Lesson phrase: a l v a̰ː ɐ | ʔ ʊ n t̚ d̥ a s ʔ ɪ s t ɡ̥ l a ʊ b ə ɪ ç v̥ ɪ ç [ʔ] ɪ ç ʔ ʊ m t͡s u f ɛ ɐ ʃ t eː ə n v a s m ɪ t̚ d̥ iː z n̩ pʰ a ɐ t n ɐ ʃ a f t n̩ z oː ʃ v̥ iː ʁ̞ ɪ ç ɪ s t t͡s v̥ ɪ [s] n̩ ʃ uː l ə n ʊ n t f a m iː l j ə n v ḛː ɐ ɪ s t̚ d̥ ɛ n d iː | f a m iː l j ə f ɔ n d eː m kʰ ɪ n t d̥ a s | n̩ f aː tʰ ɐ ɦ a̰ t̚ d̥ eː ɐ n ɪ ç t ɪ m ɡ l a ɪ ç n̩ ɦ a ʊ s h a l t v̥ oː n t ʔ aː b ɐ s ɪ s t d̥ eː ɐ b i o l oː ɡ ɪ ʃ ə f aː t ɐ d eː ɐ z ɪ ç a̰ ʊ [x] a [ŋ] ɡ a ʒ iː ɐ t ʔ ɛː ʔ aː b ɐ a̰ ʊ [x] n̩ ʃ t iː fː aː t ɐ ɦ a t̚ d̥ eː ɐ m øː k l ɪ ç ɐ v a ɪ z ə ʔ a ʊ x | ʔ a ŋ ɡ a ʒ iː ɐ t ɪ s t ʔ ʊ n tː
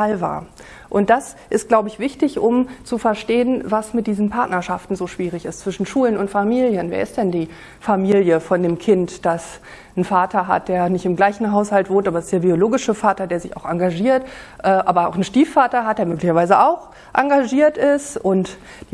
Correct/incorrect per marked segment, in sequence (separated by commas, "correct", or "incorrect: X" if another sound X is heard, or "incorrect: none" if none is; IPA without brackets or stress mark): incorrect: t, incorrect: ʃ, correct, correct, correct